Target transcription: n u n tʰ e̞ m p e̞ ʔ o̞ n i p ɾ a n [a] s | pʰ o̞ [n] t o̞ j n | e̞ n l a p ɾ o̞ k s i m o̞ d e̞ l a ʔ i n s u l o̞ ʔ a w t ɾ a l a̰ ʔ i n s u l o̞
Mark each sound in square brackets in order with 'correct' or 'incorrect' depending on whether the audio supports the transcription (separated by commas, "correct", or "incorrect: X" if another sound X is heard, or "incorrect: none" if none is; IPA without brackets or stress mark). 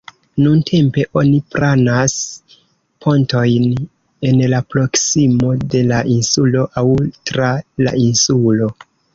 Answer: correct, correct